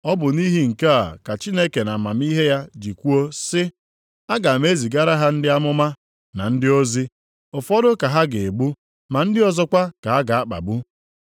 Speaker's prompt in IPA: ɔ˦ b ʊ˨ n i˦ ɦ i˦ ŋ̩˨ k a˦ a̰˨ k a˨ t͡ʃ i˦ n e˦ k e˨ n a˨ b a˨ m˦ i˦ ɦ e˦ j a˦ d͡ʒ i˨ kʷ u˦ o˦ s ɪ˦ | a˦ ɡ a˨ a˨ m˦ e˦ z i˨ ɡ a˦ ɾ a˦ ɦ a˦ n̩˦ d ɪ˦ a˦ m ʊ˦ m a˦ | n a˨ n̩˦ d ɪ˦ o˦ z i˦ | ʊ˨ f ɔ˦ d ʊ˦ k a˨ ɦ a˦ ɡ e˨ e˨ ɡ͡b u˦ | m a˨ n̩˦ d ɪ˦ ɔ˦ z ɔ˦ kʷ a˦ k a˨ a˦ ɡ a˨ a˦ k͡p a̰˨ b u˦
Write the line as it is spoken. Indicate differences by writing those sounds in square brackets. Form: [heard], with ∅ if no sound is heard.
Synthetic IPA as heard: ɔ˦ b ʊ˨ n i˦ ɦ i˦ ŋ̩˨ k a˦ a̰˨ k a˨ t͡ʃ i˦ n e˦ k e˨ n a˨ [m] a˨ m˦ i˦ ɦ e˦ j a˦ d͡ʒ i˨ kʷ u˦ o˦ s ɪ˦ | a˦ ɡ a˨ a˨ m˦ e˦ z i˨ ɡ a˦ ɾ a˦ ɦ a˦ n̩˦ d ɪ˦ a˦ m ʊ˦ m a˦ | n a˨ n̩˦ d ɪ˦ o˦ z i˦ | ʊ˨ f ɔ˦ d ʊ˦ k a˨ ɦ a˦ ɡ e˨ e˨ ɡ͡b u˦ | m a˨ n̩˦ d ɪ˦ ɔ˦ z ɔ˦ kʷ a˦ k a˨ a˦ ɡ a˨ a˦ k͡p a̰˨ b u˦